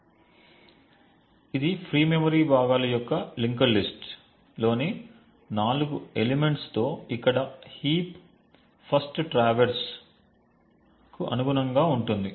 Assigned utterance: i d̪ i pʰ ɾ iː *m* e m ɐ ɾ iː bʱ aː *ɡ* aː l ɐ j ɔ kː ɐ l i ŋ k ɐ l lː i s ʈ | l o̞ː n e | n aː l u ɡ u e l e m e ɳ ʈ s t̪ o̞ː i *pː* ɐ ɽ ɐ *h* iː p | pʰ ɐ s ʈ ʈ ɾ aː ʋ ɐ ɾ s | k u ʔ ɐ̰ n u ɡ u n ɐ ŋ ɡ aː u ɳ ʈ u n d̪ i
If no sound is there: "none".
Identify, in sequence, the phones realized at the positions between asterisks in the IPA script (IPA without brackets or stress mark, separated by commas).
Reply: m, ɡ, kː, h